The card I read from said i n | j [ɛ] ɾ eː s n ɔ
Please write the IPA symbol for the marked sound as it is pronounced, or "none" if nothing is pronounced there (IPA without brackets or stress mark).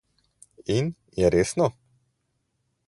ɛ